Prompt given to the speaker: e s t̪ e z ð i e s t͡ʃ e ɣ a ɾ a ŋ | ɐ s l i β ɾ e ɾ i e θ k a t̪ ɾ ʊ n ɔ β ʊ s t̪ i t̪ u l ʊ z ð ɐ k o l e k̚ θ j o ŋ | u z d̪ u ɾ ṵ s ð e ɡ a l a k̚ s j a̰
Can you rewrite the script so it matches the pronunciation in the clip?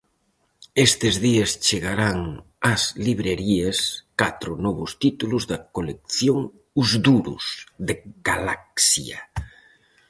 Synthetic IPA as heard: e s t̪ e z ð i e s t͡ʃ e ɣ a ɾ a ŋ | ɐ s l i β ɾ e ɾ i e s k a t̪ ɾ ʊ n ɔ β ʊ s t̪ i t̪ u l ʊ z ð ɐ k o l e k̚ θ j o ŋ | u z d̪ u ɾ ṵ s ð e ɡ a l a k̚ s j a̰